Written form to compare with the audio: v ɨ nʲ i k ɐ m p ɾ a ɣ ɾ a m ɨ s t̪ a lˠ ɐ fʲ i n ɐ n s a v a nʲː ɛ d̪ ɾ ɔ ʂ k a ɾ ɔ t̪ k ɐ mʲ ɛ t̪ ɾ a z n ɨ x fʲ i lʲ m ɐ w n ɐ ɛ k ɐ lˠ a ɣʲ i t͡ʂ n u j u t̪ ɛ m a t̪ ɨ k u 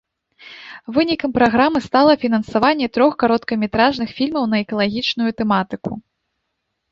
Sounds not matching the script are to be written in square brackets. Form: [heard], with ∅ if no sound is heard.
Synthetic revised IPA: v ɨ nʲ i k ɐ m p ɾ a ɣ ɾ a m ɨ s t̪ a lˠ ɐ fʲ i n ɐ n s a v a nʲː ɛ [t̪] ɾ ɔ [x] k a ɾ ɔ t̪ k ɐ mʲ ɛ t̪ ɾ a [ʐ] n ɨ x fʲ i lʲ m ɐ w n ɐ ɛ k ɐ lˠ a ɣʲ i t͡ʂ n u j u t̪ ɛ m a t̪ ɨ k u